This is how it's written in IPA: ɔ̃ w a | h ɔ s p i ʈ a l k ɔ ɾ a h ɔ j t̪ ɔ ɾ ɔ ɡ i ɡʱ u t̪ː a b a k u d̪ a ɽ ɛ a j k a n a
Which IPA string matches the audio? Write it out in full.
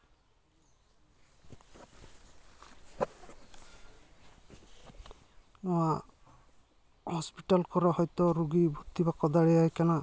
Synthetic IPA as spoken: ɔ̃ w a | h ɔ s p i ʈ a l k ɔ ɾ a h ɔ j t̪ ɔ ɾ u ɡ i bʱ u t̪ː i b a k ɔ d̪ a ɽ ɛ a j k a n a